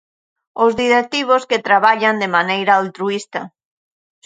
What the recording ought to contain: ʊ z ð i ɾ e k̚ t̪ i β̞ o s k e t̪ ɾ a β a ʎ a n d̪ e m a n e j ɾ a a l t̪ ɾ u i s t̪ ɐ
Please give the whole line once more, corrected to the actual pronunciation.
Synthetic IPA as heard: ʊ z ð i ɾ e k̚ t̪ i β̞ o s k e t̪ ɾ a β a ʎ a n d̪ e m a n e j ɾ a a l t̪ ɾ u i s t̪ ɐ